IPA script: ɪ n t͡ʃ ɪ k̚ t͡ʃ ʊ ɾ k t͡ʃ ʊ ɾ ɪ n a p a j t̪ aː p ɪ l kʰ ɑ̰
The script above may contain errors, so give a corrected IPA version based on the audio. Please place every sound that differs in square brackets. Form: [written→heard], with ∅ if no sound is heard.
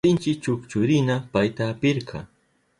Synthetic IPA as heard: ɪ n t͡ʃ ɪ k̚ t͡ʃ ʊ [ɾ→∅] k t͡ʃ ʊ ɾ ɪ n a p a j t̪ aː p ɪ [l→ɾ] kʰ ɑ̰